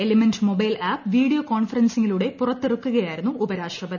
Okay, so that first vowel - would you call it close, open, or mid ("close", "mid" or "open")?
mid